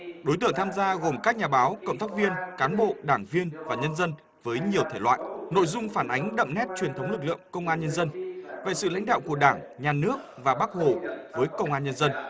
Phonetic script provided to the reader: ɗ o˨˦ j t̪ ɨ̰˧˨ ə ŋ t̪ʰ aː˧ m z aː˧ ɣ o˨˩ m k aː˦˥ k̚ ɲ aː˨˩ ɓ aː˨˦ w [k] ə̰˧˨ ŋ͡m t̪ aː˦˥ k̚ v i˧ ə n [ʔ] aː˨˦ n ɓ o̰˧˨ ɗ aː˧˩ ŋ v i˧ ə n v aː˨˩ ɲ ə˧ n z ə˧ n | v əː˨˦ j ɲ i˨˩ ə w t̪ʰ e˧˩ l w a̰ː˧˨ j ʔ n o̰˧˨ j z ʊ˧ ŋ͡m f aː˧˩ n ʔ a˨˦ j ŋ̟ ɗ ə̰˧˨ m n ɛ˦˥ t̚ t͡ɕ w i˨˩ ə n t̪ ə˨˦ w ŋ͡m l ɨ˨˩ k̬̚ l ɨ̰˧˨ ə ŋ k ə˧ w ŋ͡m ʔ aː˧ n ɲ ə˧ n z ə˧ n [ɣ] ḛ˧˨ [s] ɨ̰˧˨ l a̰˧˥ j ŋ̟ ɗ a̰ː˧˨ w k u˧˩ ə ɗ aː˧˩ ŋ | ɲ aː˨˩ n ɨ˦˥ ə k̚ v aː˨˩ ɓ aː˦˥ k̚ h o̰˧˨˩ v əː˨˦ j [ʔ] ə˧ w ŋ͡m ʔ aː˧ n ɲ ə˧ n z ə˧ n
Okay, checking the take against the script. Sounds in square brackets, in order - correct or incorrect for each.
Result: correct, incorrect, incorrect, correct, incorrect

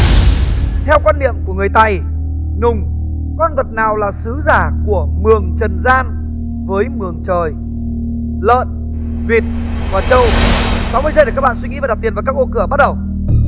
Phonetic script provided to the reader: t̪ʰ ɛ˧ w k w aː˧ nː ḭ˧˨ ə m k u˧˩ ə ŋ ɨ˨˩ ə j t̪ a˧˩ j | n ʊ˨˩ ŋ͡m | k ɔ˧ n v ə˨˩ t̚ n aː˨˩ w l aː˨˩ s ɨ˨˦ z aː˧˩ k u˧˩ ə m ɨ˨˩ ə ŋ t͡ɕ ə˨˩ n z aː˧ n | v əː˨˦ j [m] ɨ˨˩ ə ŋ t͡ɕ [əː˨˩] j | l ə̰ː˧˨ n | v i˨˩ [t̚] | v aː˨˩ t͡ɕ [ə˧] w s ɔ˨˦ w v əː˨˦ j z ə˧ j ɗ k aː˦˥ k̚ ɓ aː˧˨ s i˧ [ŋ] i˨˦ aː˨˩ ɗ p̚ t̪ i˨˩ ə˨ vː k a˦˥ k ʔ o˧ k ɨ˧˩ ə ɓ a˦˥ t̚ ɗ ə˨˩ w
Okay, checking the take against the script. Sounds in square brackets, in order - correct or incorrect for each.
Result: correct, correct, correct, correct, correct

